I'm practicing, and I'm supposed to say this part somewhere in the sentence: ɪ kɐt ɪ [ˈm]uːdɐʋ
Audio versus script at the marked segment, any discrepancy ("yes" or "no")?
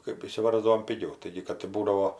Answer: yes